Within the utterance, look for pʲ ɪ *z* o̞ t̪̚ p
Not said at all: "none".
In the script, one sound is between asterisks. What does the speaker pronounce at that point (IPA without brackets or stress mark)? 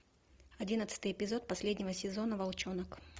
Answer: z